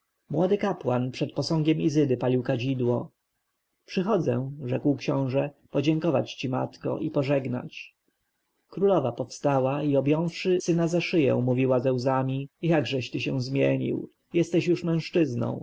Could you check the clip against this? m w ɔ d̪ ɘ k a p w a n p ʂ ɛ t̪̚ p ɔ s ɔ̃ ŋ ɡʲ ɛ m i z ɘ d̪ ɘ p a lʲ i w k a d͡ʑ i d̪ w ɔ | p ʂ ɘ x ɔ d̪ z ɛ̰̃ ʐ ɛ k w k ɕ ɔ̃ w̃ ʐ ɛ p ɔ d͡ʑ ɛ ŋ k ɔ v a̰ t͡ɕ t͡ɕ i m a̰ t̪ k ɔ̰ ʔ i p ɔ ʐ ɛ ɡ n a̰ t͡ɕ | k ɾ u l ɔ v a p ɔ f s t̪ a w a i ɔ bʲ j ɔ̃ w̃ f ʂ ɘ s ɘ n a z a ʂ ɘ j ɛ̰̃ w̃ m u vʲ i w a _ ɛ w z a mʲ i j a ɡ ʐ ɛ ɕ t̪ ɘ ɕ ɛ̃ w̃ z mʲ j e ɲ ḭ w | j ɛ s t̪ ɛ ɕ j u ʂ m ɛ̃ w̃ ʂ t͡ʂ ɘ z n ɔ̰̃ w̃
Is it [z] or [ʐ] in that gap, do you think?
z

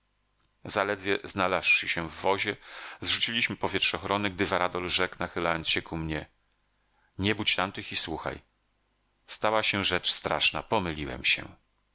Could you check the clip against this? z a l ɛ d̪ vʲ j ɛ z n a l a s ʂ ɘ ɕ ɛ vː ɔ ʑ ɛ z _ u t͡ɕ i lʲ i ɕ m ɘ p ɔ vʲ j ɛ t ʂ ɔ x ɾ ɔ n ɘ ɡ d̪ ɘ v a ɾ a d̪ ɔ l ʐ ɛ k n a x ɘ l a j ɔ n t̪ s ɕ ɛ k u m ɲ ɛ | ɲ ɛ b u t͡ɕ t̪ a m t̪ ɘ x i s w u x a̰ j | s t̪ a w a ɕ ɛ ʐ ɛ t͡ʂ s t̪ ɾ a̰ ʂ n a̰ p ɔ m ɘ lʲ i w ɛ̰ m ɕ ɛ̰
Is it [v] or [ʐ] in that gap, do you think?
ʐ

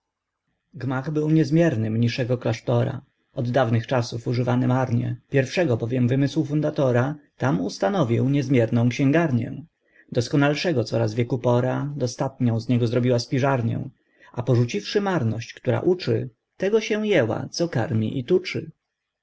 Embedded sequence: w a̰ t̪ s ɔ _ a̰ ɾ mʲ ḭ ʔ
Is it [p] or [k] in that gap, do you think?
k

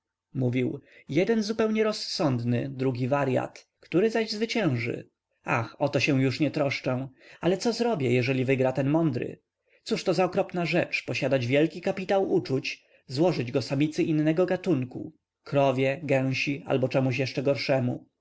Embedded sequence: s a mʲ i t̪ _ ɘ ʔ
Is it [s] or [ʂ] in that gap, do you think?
s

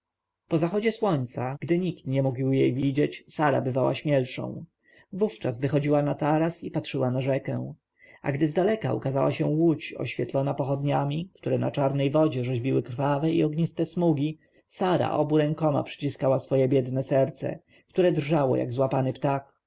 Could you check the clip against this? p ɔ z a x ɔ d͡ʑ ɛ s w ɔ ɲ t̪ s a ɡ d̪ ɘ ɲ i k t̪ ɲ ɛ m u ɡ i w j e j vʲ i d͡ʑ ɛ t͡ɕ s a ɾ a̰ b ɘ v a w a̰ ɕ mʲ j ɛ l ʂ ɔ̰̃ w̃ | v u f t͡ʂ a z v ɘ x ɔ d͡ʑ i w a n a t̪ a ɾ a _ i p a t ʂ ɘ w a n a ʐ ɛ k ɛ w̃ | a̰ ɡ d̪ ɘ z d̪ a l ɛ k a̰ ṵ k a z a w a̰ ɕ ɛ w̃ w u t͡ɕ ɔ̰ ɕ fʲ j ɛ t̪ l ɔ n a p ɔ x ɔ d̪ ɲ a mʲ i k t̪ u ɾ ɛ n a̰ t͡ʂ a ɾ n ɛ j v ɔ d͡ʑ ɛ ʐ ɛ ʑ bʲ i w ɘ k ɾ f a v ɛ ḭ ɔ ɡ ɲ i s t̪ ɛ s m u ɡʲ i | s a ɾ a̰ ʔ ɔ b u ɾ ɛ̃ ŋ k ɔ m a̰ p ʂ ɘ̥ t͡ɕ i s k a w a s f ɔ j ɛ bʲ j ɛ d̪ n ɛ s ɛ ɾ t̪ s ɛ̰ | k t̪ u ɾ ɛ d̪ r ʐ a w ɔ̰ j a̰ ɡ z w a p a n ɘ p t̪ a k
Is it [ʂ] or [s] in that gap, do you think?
s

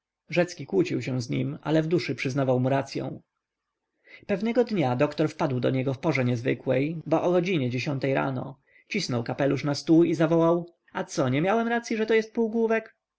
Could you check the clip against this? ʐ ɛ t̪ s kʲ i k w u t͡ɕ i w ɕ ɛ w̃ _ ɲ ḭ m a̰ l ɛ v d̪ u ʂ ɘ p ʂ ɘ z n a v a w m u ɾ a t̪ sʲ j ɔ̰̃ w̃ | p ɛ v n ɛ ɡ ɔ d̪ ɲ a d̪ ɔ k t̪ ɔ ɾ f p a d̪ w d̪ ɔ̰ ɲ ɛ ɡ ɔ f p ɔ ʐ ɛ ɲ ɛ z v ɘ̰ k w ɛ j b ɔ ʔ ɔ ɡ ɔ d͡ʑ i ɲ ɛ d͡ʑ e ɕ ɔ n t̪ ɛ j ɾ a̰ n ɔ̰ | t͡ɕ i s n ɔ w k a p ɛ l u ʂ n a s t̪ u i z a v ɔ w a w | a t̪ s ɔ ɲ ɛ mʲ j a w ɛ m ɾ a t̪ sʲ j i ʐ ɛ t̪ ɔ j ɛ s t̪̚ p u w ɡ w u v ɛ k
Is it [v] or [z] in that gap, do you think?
z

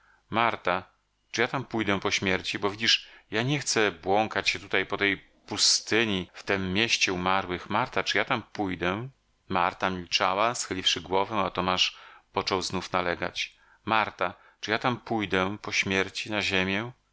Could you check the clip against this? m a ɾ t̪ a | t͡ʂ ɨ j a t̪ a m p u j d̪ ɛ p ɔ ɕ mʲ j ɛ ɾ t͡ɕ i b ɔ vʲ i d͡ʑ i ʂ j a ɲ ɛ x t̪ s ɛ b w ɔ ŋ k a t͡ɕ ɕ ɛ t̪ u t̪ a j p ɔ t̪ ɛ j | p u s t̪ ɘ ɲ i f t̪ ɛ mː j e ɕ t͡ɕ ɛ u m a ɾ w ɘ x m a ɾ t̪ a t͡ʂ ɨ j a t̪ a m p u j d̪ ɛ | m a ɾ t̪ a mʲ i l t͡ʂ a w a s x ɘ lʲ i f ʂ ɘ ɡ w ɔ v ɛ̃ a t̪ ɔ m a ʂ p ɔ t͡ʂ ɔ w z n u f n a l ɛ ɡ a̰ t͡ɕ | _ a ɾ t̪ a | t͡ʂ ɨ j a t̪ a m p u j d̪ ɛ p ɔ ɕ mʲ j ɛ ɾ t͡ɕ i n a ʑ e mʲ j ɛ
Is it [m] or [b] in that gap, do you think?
m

